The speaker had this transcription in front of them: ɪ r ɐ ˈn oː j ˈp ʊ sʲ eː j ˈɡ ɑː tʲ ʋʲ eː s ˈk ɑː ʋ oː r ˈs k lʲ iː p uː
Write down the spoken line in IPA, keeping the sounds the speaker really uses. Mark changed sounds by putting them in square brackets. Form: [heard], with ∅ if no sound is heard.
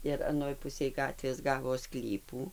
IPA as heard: ɪ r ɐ ˈn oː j ˈp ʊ sʲ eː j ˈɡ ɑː tʲ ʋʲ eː s [ˈɡ] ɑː ʋ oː [∅] ˈs k lʲ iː p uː